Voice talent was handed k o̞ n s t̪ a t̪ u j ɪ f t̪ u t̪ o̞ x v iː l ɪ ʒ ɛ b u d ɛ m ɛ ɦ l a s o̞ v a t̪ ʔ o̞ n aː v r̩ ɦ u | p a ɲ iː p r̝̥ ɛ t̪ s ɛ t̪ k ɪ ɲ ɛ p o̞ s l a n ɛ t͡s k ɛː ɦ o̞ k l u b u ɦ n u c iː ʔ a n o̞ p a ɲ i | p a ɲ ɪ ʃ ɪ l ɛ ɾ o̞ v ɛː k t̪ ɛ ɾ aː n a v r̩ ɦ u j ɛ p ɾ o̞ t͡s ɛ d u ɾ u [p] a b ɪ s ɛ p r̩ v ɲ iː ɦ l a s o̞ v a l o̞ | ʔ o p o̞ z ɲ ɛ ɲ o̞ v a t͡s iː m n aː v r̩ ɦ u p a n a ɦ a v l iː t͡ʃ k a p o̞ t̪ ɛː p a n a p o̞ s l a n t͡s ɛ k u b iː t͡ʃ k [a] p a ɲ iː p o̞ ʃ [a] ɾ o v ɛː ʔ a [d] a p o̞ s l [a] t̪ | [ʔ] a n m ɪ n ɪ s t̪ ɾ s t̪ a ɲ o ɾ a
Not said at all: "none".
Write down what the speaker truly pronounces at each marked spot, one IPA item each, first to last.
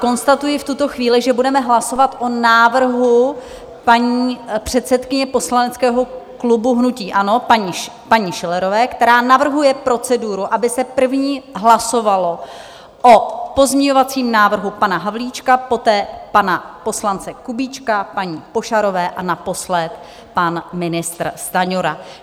ʔ, a, a, n, ɛ, p

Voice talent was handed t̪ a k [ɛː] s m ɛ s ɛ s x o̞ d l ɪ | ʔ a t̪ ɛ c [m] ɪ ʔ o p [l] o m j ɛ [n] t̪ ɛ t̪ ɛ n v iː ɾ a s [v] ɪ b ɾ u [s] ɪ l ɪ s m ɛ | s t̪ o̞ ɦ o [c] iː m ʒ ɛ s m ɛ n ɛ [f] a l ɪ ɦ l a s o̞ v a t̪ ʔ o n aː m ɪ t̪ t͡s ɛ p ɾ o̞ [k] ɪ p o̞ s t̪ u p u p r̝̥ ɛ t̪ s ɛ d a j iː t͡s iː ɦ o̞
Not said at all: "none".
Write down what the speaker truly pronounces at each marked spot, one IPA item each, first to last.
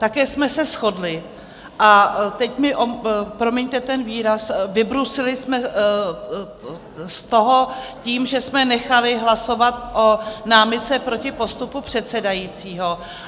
ɛː, m, ɾ, ɲ, v, s, c, x, c

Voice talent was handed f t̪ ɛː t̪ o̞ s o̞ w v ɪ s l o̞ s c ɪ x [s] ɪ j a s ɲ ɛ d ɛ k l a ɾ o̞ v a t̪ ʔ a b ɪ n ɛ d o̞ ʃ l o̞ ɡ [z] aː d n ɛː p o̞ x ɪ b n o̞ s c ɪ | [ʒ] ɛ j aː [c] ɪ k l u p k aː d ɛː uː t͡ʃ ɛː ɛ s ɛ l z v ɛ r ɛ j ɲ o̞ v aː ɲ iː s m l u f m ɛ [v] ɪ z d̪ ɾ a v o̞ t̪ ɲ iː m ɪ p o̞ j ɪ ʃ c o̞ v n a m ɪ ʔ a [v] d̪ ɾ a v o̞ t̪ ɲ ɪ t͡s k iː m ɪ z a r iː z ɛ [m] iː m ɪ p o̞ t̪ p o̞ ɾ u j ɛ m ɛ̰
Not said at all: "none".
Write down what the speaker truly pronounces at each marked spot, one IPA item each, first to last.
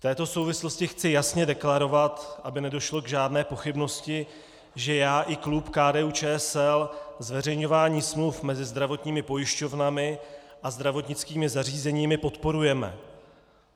t͡s, ʒ, ʒ, ʔ, z, z, ɲ

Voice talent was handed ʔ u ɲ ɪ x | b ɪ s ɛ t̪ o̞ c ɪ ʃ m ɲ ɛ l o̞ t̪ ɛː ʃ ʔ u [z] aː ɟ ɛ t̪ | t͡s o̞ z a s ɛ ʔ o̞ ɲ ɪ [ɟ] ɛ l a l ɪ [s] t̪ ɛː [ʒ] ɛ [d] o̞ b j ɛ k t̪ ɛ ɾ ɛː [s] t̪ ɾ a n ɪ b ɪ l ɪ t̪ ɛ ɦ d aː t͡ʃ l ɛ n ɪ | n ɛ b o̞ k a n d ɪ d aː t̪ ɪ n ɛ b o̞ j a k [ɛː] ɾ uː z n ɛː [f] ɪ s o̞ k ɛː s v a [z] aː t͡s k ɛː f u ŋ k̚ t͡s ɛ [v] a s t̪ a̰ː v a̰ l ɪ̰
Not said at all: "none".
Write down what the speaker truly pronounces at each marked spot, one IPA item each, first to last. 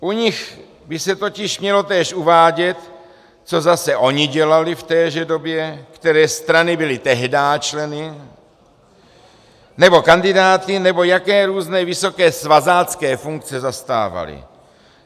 v, ɟ, f, ʒ, d, s, ɛː, v, z, z

